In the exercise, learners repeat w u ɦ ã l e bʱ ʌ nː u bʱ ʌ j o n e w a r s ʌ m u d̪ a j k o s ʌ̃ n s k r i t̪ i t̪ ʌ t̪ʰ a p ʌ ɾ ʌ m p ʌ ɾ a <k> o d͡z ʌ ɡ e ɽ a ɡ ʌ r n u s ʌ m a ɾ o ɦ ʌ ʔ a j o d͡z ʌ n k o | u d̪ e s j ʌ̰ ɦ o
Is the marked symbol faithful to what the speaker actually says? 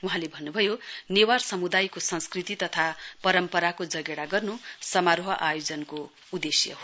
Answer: yes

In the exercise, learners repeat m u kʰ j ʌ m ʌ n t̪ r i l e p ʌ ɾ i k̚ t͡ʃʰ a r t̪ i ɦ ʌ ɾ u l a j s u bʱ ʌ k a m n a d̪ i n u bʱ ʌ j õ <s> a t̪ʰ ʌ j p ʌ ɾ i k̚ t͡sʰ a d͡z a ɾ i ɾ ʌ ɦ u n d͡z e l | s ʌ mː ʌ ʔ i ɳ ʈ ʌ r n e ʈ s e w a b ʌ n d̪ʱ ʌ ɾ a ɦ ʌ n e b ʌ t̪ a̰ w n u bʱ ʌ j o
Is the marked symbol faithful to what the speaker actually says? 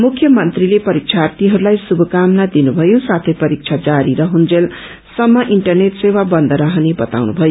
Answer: yes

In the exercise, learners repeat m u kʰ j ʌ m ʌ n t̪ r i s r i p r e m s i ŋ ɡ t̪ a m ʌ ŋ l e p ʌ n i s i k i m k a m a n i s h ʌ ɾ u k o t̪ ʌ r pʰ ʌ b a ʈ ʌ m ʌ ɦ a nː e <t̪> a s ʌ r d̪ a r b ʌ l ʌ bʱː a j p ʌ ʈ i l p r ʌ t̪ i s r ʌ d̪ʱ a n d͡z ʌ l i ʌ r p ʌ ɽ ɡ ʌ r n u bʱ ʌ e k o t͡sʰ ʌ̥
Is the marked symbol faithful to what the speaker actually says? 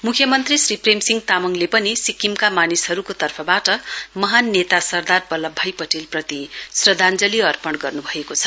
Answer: yes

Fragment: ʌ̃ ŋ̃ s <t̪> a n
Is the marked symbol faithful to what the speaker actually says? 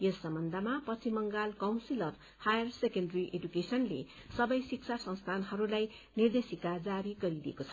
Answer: no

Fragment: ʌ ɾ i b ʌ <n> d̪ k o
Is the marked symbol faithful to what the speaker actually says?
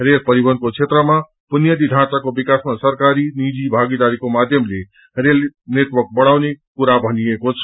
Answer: yes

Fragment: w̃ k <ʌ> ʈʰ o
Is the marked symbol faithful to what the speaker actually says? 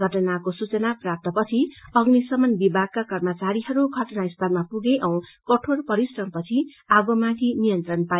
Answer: yes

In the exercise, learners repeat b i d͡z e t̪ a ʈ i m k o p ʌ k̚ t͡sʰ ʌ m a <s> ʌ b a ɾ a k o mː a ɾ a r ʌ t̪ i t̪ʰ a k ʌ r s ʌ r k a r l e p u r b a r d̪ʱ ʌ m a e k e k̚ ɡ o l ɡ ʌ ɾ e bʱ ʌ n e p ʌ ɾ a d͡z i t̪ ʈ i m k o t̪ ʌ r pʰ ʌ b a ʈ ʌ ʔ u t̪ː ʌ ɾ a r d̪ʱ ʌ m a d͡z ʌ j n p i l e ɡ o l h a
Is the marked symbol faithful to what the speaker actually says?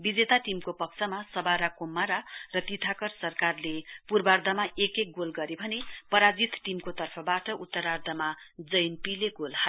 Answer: yes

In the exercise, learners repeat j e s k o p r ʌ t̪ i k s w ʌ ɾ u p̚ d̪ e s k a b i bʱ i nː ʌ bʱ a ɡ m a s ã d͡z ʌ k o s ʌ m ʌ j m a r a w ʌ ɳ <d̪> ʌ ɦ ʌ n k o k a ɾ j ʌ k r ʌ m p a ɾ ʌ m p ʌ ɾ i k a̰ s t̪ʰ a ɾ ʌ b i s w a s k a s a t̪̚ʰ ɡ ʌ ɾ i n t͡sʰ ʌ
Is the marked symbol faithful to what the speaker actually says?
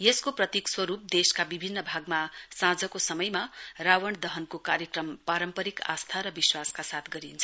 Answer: yes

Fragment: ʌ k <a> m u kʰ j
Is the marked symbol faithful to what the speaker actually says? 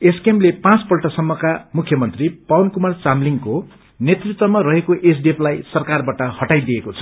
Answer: yes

